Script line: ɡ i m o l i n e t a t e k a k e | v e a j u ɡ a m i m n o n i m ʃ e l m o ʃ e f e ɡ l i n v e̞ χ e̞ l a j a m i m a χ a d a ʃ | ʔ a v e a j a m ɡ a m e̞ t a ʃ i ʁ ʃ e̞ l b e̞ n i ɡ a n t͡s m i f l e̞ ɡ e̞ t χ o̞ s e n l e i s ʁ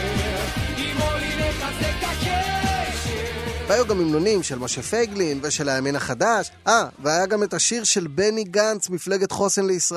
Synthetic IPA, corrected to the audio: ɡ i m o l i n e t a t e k a k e | v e a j u ɡ a m i m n o n i m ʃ e l m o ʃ e f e ɡ l i n v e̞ ʃ e̞ l a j a m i n a χ a d a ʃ | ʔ a v e a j a ɡ a m e̞ t a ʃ i ʁ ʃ e̞ l b e̞ n i ɡ a n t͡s m i f l e̞ ɡ e̞ t χ o̞ s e n l e i s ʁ